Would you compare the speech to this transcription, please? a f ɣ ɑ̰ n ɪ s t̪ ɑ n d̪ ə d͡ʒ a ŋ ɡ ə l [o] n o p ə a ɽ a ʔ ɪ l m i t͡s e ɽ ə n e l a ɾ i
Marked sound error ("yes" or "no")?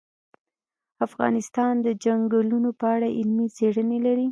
yes